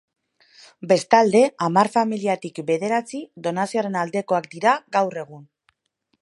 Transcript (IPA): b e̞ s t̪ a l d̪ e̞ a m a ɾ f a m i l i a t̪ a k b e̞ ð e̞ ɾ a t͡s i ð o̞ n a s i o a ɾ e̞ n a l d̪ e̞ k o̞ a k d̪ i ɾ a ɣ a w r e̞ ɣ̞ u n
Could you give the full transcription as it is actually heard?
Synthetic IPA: b e̞ s t̪ a l d̪ e̞ a m a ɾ f a m i l i a t̪ i k b e̞ ð e̞ ɾ a t͡s i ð o̞ n a s i o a ɾ e̞ n a l d̪ e̞ k o̞ a k d̪ i ɾ a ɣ a w r e̞ ɣ̞ u n

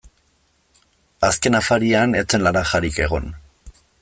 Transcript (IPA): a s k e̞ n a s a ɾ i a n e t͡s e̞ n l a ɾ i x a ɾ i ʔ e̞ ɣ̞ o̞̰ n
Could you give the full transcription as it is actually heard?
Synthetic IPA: a s k e̞ n a f a ɾ i a n e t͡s e̞ n l a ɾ a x a ɾ i k e̞ ɣ̞ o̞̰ n

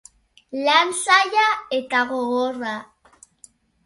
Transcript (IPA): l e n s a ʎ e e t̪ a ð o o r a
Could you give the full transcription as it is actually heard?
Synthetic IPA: l a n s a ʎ a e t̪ a ɣ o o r a

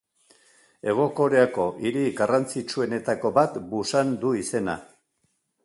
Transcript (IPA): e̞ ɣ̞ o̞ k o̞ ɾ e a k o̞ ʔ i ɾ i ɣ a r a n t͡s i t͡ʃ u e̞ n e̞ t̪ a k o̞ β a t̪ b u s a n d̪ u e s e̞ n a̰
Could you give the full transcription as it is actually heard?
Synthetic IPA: e̞ ɣ̞ o̞ k o̞ ɾ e a k o̞ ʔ i ɾ i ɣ a r a n t͡s i t͡ʃ u e̞ n e̞ t̪ a k o̞ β a t̪ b u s a n d̪ u i s e̞ n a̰

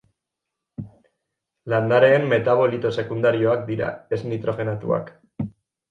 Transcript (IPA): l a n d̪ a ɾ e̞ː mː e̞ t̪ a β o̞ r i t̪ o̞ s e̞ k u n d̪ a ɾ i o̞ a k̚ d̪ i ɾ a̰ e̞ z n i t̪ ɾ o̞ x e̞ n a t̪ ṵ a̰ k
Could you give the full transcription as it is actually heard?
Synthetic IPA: l a n d̪ a ɾ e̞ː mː e̞ t̪ a β o̞ l i t̪ o̞ s e̞ k u n d̪ a ɾ i o̞ a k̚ d̪ i ɾ a̰ e̞ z n i t̪ ɾ o̞ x e̞ n a t̪ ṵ a̰ k

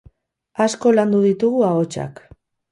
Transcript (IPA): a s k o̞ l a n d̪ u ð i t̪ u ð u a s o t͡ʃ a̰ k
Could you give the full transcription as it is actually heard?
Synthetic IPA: a s k o̞ l a n d̪ u ð i t̪ u ɣ u a o t͡ʃ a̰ k

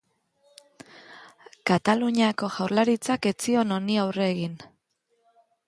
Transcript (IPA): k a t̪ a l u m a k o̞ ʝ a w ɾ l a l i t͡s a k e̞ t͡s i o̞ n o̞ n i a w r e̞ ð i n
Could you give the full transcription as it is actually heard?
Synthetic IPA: k a t̪ a l u ɲ a k o̞ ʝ a w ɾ l a ɾ i t͡s a k e̞ t͡s i o̞ n o̞ n i a w r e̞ ɣ i n

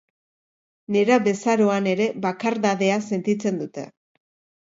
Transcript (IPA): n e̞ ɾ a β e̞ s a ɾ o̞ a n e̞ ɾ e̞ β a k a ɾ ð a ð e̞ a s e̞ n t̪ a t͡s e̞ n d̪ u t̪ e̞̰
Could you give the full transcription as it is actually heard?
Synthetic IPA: n e̞ ɾ a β e̞ s a ɾ o̞ a n e̞ ɾ e̞ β a k a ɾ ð a ð e̞ a s e̞ n t̪ i t͡s e̞ n d̪ u t̪ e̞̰

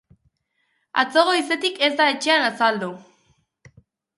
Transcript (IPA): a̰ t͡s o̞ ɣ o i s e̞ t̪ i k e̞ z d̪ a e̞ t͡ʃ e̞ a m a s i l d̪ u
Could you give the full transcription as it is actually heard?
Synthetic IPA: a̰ t͡s o̞ ɣ o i s e̞ t̪ i k e̞ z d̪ a e̞ t͡ʃ e̞ a n a s a l d̪ u

